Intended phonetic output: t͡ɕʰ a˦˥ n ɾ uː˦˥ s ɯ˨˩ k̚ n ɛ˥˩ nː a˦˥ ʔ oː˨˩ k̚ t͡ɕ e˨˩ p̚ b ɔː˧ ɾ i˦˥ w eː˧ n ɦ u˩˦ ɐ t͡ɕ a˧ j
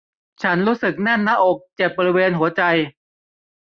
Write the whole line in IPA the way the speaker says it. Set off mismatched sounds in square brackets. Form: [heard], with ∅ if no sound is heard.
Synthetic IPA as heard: t͡ɕʰ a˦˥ n ɾ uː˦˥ s ɯ˨˩ k̚ n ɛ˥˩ nː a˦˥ ʔ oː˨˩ k̚ t͡ɕ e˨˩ p̚ b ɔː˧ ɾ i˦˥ w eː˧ n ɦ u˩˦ ɐ t͡ɕ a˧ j